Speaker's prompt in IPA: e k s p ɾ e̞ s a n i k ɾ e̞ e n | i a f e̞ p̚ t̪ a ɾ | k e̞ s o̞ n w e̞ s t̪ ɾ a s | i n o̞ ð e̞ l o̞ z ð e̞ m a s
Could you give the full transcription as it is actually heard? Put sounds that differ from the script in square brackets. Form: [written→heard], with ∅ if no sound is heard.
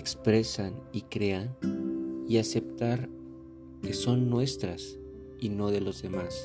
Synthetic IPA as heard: e k s p ɾ e̞ s a n i k ɾ e̞ [e→a] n | i a [f→s] e̞ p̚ t̪ a ɾ | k e̞ s o̞ [n→nː] w e̞ s t̪ ɾ a s | i n o̞ ð e̞ l o̞ z ð e̞ m a s